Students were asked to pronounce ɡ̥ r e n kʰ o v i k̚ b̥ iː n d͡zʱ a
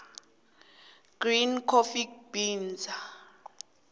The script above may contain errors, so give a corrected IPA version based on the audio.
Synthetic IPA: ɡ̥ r i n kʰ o f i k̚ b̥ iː n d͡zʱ a